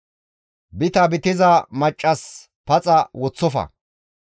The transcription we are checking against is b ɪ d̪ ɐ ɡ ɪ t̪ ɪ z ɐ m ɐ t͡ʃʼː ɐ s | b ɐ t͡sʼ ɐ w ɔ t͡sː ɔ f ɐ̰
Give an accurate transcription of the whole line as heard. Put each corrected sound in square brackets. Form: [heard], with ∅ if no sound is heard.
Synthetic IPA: b ɪ [t̪] ɐ [b] ɪ t̪ ɪ z ɐ m ɐ t͡ʃʼː ɐ s | [p] ɐ t͡sʼ ɐ w ɔ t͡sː ɔ f ɐ̰